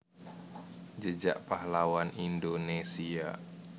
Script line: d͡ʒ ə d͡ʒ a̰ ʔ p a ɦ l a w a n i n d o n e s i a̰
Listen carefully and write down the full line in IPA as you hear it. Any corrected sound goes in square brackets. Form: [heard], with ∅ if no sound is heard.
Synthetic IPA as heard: d͡ʒ ə d͡ʒ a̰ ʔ p a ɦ l a w a n i n d o n e s i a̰